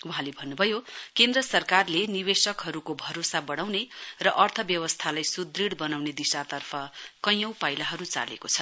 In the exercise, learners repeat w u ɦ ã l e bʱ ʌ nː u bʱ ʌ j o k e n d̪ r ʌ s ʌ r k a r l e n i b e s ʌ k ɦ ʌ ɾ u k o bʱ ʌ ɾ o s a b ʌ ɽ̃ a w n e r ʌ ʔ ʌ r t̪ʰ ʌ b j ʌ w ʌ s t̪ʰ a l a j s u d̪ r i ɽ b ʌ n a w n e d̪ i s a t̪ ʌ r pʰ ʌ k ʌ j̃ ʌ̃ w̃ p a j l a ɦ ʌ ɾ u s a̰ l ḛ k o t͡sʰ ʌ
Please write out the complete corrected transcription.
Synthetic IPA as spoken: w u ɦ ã l e bʱ ʌ nː u bʱ ʌ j o k e n d̪ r ʌ s ʌ r k a r l e n i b e s ʌ k ɦ ʌ ɾ u k o bʱ ʌ ɾ o s a b ʌ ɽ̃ a w n e r ʌ ʔ ʌ r t̪ʰ ʌ b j ʌ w ʌ s t̪ʰ a l a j s u d̪ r i ɽ b ʌ n a w n e d̪ i s a t̪ ʌ r pʰ ʌ k ʌ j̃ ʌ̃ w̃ p a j l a ɦ ʌ ɾ u t͡s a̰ l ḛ k o t͡sʰ ʌ